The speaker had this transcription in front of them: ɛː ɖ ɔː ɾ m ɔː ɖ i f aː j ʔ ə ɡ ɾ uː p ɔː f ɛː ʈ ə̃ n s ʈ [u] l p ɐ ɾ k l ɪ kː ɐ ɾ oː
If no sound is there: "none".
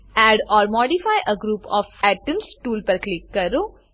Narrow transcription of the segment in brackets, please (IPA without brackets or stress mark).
uː